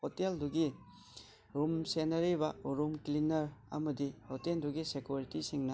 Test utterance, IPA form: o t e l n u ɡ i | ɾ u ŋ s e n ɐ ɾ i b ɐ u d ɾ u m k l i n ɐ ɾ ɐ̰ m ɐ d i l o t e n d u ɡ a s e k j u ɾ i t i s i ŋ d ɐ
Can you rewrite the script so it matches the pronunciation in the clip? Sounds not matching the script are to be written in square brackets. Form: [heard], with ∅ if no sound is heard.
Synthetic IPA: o t e l [d] u ɡ i | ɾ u [m] s e n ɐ ɾ i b ɐ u [∅] ɾ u m k l i n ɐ ɾ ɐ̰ m ɐ d i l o t e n d u ɡ [i] s e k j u ɾ i t i s i ŋ [n] ɐ